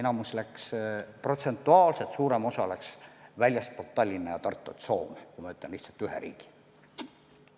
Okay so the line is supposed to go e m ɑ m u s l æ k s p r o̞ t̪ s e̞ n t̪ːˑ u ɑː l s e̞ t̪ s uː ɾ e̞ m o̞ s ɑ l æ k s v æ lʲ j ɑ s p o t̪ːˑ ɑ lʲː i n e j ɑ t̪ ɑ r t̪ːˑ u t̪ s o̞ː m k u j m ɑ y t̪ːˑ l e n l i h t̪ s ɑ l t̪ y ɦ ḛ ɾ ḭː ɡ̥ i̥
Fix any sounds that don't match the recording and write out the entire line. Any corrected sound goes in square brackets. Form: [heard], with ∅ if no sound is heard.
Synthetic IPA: e [n] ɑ m u s l æ k s p r o̞ t̪ s e̞ n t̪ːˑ u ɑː l s e̞ t̪ s uː ɾ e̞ m o̞ s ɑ l æ k s v æ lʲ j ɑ s p o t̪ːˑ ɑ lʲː i n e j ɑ t̪ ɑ r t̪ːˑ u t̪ s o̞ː m k u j m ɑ y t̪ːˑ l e n l i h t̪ s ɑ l t̪ y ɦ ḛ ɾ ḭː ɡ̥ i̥